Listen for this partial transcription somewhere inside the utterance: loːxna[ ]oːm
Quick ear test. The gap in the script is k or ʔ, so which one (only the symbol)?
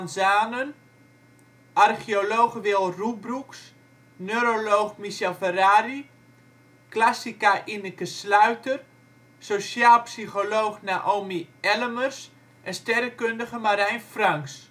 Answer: ʔ